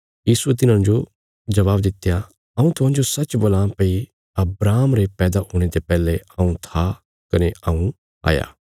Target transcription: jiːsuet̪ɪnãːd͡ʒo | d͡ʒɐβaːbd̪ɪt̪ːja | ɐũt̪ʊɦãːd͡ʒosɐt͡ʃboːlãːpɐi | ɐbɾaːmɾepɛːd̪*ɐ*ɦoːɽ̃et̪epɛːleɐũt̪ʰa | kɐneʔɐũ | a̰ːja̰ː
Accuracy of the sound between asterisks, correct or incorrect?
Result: incorrect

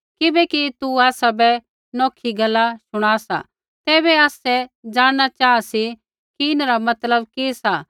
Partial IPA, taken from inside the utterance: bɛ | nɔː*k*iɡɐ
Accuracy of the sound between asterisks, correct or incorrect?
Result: incorrect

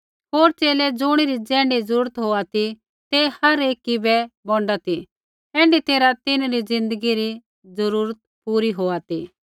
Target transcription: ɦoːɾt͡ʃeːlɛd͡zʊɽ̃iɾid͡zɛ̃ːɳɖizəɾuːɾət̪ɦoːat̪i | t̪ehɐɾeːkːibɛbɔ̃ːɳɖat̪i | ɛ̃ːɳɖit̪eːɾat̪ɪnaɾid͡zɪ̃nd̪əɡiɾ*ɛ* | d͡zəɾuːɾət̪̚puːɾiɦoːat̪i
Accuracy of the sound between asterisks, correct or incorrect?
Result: incorrect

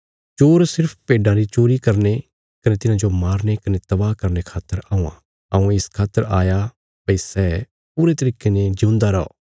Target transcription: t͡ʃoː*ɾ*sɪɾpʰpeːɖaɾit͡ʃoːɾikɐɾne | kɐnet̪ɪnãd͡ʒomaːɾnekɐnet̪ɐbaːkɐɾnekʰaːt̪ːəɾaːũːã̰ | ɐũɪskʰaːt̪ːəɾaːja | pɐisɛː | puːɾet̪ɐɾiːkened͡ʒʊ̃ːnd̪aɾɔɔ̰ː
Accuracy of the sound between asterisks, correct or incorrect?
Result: correct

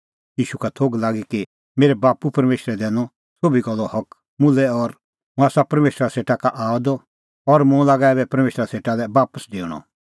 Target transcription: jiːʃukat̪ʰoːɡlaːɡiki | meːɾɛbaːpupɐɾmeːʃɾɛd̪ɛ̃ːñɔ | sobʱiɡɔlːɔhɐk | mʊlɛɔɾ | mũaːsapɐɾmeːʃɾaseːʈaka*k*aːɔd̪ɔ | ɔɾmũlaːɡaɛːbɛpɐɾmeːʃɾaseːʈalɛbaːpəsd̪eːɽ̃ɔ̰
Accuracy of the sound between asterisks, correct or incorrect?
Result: incorrect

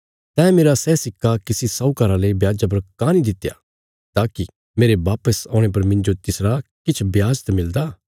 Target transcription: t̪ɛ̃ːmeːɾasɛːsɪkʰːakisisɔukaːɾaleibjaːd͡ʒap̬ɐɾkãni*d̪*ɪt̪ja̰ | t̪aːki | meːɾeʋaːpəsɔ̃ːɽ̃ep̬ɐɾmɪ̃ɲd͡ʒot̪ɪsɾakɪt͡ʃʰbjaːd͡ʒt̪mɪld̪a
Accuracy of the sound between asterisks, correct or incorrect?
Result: correct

